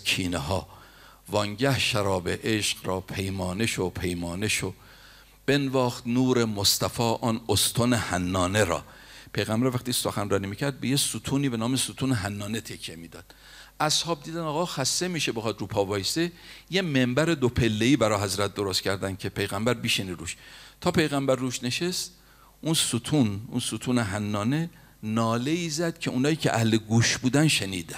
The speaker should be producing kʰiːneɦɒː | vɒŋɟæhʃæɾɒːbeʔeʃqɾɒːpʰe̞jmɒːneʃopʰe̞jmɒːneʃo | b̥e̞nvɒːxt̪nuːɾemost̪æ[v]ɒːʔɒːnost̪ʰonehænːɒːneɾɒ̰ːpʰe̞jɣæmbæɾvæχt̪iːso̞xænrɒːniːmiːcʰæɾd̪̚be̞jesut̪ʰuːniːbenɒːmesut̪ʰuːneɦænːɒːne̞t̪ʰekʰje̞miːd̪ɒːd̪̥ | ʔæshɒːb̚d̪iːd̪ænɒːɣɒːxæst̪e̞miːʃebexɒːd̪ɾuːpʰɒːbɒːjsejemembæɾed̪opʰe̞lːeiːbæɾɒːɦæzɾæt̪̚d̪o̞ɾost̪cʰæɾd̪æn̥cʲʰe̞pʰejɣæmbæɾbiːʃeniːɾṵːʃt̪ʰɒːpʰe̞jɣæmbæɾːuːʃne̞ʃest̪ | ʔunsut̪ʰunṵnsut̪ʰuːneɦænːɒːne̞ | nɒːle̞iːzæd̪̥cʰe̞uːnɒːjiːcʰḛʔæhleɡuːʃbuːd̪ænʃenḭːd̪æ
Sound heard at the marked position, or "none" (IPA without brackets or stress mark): f